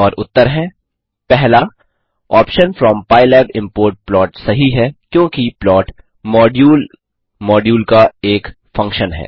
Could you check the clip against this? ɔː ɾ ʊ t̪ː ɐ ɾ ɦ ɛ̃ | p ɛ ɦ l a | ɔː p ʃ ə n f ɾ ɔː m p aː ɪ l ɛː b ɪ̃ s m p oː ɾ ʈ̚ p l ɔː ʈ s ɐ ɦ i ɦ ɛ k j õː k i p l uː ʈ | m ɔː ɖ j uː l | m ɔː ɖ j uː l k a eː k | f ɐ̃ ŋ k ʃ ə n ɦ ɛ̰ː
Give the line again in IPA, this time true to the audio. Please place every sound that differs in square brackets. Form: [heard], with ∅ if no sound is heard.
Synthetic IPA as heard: ɔː ɾ ʊ t̪ː [ə] ɾ ɦ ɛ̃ | p ɛ ɦ l a | ɔː p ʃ ə n f ɾ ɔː m p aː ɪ l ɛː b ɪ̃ [∅] m p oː ɾ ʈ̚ p l ɔː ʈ s ɐ ɦ i ɦ ɛ k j õː k i p l [ɔː] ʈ | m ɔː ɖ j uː l | m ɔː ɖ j uː l k a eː k | f ɐ̃ ŋ k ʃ ə n ɦ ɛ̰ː

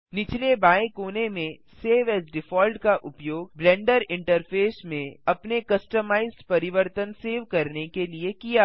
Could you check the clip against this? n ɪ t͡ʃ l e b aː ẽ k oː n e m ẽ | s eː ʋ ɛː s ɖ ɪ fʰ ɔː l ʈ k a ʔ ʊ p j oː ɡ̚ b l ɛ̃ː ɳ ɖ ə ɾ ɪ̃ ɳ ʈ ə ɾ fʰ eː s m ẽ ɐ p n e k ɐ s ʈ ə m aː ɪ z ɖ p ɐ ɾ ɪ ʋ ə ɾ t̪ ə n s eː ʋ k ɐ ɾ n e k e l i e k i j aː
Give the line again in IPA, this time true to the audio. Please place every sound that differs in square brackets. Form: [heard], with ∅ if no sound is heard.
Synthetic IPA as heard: n ɪ t͡ʃ l e b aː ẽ k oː n e m ẽ | s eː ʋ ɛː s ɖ ɪ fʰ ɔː l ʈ k a ʔ ʊ p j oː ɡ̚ b l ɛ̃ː ɳ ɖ ə ɾ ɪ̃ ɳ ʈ ə ɾ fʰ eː s m ẽ ɐ p n e k ɐ s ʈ ə m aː ɪ z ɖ p ɐ ɾ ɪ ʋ ə ɾ t̪ ə n s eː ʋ k ɐ ɾ n e k e l i e k i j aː

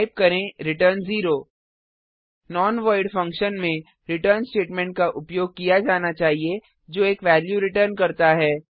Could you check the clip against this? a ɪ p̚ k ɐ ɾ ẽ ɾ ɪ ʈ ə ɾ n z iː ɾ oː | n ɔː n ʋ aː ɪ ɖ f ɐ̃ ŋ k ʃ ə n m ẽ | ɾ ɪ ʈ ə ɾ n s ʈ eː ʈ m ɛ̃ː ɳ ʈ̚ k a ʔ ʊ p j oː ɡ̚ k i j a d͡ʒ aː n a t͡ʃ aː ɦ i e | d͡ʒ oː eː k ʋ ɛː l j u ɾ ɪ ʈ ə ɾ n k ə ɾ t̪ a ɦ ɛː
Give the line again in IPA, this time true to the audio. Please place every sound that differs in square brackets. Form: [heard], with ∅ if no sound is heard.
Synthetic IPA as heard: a ɪ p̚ k ɐ ɾ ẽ ɾ ɪ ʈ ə ɾ n z iː ɾ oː | n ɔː n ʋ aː ɪ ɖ f ɐ̃ ŋ k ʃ ə n m ẽ | ɾ ɪ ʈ ə ɾ n s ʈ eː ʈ m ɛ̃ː ɳ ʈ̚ k a ʔ ʊ p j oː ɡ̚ k i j a d͡ʒ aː n a t͡ʃ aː ɦ i e | d͡ʒ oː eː k ʋ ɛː l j u ɾ ɪ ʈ ə ɾ n k [ɐ] ɾ t̪ a ɦ ɛː

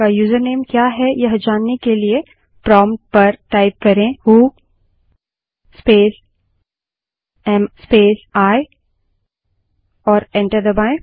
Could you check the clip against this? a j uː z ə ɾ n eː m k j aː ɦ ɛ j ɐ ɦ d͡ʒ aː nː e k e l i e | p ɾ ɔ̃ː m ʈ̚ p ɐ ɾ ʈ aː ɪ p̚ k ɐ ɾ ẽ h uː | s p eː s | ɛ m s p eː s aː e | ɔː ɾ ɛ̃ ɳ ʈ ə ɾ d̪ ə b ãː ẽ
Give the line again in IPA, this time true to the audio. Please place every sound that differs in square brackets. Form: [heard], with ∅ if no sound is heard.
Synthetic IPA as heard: a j uː z ə ɾ n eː m k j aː ɦ ɛ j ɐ ɦ d͡ʒ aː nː e k e l i e | p ɾ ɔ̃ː m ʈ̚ p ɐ ɾ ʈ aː ɪ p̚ k ɐ ɾ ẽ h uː | s p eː s | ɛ m s p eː s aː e | ɔː ɾ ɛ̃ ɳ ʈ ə ɾ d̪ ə b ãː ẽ

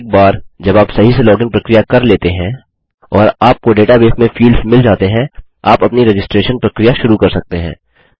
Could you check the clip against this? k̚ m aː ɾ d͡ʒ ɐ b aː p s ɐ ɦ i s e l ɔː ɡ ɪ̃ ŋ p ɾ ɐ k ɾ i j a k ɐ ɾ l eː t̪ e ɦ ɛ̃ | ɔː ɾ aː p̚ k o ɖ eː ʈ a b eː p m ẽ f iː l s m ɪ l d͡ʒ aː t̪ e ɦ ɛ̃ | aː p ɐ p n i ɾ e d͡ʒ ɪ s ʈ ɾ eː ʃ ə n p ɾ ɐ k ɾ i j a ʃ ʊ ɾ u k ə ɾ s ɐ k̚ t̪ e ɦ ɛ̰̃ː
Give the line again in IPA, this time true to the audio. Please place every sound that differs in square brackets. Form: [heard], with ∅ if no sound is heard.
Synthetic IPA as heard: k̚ [b] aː ɾ d͡ʒ ɐ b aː p s ɐ ɦ i s e l ɔː ɡ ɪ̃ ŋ p ɾ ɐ k ɾ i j a k ɐ ɾ l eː t̪ e ɦ ɛ̃ | ɔː ɾ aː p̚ k o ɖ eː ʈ a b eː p m ẽ f iː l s m ɪ l d͡ʒ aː t̪ e ɦ ɛ̃ | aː p ɐ p n i ɾ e d͡ʒ ɪ s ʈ ɾ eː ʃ ə n p ɾ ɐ k ɾ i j a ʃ ʊ ɾ u k [ɐ] ɾ s ɐ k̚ t̪ e ɦ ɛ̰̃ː

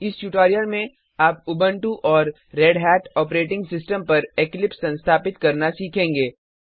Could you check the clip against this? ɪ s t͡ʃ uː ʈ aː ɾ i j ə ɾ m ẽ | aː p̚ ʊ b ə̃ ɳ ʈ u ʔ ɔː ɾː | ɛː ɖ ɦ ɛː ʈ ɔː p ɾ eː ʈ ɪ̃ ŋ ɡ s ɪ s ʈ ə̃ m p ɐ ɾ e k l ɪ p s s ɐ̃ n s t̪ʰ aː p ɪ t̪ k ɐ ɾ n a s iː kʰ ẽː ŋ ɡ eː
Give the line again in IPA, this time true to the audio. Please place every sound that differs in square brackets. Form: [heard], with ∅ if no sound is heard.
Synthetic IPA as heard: ɪ s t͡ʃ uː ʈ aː ɾ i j ə ɾ m ẽ | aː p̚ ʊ b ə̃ ɳ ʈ u ʔ ɔː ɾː | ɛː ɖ ɦ ɛː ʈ ɔː p ɾ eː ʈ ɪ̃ ŋ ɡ s ɪ s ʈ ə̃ m p ɐ ɾ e k l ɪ p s s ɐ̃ n s t̪ʰ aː p ɪ t̪ k ɐ ɾ n a s iː kʰ ẽː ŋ ɡ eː

